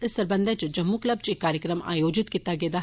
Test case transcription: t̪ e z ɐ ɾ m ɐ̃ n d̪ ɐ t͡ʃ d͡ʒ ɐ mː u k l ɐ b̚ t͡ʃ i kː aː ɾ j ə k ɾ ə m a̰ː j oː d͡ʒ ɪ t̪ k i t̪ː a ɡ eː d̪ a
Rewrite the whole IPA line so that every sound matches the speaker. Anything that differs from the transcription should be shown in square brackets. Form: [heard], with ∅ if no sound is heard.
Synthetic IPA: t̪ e [s] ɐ ɾ [b] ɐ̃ n d̪ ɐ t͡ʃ d͡ʒ ɐ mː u k l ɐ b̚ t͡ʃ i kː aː ɾ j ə k ɾ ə m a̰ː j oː d͡ʒ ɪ t̪ k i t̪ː a ɡ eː d̪ a

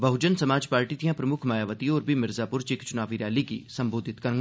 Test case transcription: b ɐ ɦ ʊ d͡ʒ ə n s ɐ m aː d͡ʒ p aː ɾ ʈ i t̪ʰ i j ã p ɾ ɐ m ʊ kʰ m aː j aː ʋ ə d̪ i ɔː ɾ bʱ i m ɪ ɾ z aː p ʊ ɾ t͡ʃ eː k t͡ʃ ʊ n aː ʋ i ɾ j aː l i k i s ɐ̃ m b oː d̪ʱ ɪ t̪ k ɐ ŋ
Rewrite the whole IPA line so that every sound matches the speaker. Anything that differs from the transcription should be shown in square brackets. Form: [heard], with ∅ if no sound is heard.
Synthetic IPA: b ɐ ɦ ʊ d͡ʒ ə n s ɐ m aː d͡ʒ p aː ɾ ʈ i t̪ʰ i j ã p ɾ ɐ m ʊ kʰ m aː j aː ʋ ə [t̪] i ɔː ɾ bʱ i m ɪ ɾ z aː p ʊ ɾ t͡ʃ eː k t͡ʃ ʊ n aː ʋ i ɾ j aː l i k i s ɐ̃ m b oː d̪ʱ ɪ t̪ k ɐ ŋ

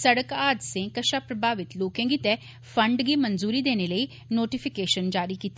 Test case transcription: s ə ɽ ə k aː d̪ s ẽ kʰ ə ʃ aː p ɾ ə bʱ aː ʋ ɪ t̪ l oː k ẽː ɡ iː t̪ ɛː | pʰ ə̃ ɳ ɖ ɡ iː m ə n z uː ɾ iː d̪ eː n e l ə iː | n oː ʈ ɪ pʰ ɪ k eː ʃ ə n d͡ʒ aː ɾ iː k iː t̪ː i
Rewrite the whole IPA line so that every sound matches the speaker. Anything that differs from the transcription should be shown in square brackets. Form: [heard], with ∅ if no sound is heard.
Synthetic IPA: s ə ɽ ə k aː d̪ s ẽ [k] ə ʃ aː p ɾ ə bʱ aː ʋ ɪ t̪ l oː k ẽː ɡ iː t̪ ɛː | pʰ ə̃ ɳ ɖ ɡ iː m ə n z uː ɾ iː d̪ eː n e l ə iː | n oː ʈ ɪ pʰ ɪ k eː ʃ ə n d͡ʒ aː ɾ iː k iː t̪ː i

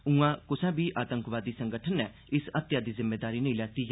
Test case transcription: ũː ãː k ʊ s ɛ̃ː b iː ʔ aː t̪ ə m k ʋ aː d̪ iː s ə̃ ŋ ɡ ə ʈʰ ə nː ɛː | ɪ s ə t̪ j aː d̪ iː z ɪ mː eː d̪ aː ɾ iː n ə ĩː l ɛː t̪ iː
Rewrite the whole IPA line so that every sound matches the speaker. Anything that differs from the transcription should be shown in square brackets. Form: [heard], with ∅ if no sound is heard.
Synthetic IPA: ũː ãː k ʊ s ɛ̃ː b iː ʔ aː t̪ ə [ŋ] k ʋ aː d̪ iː s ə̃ ŋ ɡ ə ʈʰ ə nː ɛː | ɪ s ə t̪ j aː d̪ iː z ɪ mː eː d̪ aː ɾ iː n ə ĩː l ɛː t̪ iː

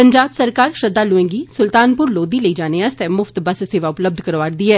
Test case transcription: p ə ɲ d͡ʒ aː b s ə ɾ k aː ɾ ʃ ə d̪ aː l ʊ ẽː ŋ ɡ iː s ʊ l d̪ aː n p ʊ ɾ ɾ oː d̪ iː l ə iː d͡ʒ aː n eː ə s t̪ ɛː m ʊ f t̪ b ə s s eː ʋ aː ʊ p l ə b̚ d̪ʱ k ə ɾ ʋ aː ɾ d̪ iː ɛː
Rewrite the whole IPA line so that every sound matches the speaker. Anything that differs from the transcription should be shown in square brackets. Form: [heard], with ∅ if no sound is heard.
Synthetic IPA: p ə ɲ d͡ʒ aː b s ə ɾ k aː ɾ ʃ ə d̪ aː l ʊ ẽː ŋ ɡ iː s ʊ l [t̪] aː n p ʊ ɾ [l] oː d̪ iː l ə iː d͡ʒ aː n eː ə s t̪ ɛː m ʊ f t̪ b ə s s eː ʋ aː ʊ p l ə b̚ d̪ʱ k ə ɾ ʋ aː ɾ d̪ iː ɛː

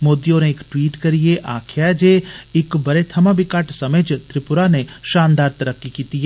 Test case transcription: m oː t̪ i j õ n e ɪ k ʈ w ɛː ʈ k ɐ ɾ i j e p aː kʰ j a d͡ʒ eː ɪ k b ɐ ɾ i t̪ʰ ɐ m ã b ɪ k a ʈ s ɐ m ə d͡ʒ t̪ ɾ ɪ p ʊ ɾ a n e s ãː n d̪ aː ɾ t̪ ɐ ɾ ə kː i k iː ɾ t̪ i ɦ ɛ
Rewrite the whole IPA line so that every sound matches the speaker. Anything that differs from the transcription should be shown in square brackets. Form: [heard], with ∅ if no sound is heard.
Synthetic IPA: m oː [d̪] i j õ n e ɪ k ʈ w [iː] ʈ k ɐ ɾ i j e [ʔ] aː kʰ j a d͡ʒ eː ɪ k b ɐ ɾ [e] t̪ʰ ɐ m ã b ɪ k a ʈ s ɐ m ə d͡ʒ t̪ ɾ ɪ p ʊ ɾ a n e [ʃ] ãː n d̪ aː ɾ t̪ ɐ ɾ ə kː i k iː [∅] t̪ i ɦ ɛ

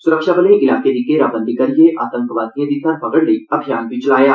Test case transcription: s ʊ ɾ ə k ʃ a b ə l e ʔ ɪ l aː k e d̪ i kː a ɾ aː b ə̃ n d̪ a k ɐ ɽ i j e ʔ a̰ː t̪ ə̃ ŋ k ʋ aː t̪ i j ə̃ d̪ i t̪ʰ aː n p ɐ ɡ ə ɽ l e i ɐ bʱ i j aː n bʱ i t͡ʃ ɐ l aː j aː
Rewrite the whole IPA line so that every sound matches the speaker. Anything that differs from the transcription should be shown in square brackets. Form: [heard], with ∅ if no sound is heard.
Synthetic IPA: s ʊ ɾ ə k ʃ a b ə l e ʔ ɪ l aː k e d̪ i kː [e] ɾ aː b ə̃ n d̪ [i] k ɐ [ɾ] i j e ʔ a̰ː t̪ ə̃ ŋ k ʋ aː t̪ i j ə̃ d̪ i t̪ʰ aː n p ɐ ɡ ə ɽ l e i ɐ bʱ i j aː n bʱ i t͡ʃ ɐ l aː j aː

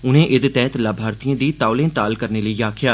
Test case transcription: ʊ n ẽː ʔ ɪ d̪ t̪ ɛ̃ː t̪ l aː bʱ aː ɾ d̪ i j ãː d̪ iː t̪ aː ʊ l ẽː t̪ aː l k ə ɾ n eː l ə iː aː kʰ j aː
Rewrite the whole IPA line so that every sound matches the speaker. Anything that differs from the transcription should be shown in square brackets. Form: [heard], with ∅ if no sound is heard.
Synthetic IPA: ʊ n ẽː ʔ ɪ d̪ t̪ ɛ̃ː t̪ l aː bʱ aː ɾ [t̪] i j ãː d̪ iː t̪ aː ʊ l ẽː t̪ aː l k ə ɾ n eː l ə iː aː kʰ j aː

